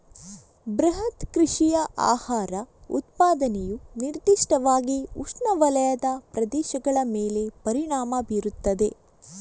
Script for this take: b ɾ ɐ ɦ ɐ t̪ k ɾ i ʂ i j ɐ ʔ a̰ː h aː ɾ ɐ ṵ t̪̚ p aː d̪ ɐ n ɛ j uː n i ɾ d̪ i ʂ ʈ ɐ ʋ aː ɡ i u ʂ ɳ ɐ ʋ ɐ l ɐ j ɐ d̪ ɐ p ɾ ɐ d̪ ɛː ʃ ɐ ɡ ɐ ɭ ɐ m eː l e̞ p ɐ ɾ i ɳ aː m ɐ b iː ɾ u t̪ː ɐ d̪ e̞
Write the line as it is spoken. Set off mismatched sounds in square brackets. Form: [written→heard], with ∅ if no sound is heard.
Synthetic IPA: b ɾ ɐ ɦ ɐ t̪ k ɾ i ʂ i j ɐ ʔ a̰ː h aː ɾ ɐ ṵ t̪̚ p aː d̪ ɐ n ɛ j [uː→u] n i ɾ d̪ i ʂ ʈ ɐ ʋ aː ɡ i u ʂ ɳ ɐ ʋ ɐ l ɐ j ɐ d̪ ɐ p ɾ ɐ d̪ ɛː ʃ ɐ ɡ ɐ ɭ ɐ m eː l e̞ p ɐ ɾ i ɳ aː m ɐ b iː ɾ u t̪ː ɐ d̪ e̞